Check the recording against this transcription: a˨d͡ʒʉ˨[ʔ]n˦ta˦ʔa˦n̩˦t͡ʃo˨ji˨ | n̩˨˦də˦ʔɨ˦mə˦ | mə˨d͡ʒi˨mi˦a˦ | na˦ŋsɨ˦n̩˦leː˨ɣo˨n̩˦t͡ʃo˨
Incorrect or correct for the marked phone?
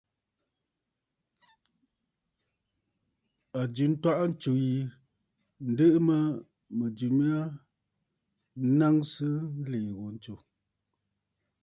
incorrect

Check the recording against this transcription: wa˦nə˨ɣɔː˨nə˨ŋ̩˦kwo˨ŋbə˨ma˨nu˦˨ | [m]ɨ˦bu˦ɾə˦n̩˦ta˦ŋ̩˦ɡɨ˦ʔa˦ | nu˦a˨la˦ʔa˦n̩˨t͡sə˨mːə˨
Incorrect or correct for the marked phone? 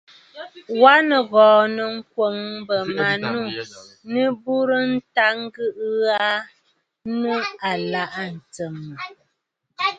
incorrect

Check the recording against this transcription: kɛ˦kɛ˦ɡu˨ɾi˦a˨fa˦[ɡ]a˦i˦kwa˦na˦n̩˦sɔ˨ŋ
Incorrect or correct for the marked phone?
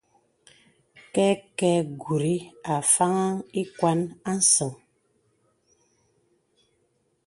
incorrect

